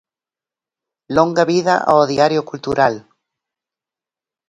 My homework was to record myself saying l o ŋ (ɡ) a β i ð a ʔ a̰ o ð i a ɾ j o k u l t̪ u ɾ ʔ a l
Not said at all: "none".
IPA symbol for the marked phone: ɡ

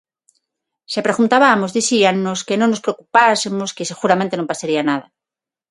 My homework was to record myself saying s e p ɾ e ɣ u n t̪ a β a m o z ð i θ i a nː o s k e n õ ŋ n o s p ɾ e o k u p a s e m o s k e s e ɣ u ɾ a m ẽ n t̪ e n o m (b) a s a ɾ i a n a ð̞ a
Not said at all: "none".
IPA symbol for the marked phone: p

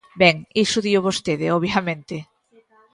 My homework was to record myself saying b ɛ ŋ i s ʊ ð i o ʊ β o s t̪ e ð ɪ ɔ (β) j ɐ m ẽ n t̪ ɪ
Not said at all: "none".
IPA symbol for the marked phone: β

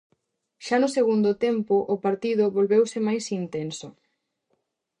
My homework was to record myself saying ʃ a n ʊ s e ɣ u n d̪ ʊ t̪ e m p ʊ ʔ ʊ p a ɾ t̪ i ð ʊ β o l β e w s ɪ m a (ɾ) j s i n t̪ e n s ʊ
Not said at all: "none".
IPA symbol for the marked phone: none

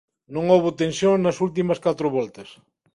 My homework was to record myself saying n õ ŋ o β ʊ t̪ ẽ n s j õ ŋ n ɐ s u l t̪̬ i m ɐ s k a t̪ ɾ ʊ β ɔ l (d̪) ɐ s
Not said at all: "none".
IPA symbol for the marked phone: t̪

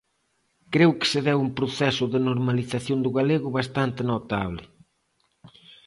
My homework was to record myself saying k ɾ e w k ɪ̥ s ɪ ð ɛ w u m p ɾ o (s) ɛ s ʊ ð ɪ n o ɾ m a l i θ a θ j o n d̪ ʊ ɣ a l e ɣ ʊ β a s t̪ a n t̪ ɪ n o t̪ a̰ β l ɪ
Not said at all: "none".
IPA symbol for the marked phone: θ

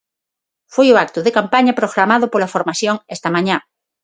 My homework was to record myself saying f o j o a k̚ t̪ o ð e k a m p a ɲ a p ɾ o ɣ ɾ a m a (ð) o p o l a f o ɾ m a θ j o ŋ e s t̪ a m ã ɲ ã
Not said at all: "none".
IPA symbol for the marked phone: ð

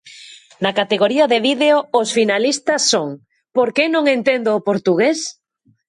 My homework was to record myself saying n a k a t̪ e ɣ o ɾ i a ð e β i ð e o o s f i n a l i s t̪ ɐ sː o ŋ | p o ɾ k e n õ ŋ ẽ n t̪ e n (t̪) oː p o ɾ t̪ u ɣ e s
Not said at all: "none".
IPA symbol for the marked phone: d̪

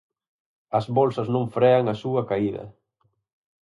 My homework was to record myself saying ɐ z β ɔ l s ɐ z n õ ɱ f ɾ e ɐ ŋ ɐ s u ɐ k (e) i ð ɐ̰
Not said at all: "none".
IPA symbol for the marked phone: a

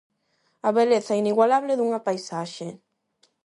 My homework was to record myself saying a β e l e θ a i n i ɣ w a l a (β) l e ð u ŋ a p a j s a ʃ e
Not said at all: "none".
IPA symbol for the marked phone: β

